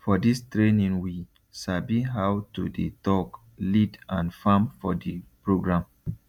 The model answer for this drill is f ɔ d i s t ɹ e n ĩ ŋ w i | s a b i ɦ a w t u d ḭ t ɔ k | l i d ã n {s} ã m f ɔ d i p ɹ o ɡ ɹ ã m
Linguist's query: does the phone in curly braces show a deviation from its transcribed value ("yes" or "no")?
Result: yes